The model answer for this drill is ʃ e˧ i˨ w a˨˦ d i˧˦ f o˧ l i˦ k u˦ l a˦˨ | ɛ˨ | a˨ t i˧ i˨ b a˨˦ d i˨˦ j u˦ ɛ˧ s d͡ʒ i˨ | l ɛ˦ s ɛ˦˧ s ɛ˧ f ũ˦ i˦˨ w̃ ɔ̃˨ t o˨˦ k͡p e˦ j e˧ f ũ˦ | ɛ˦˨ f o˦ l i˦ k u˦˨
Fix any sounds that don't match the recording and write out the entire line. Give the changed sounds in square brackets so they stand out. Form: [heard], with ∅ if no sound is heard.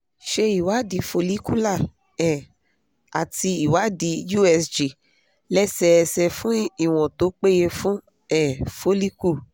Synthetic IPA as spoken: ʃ e˧ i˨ w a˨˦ d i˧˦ f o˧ l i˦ k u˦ l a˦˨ | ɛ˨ | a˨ t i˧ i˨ [w] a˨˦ d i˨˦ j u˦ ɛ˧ s d͡ʒ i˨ | l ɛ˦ s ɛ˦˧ s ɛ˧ f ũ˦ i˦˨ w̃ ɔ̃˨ t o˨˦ k͡p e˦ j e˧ f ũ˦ | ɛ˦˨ f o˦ l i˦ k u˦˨